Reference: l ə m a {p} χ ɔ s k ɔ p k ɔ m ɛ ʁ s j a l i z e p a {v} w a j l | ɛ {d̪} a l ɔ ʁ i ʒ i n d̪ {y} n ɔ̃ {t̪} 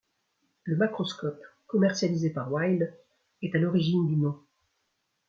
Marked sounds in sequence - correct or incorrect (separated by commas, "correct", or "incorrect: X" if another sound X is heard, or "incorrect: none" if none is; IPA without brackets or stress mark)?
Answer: incorrect: k, incorrect: ʁ, incorrect: t̪, correct, incorrect: none